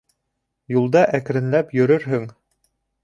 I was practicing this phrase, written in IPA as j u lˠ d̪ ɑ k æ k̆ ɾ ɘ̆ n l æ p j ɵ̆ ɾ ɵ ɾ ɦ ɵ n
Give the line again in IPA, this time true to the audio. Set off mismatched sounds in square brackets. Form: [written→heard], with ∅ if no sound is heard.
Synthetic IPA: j u lˠ d̪ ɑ [k→ʔ] æ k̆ ɾ ɘ̆ n l æ p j ɵ̆ ɾ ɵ ɾ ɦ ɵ [n→ŋ]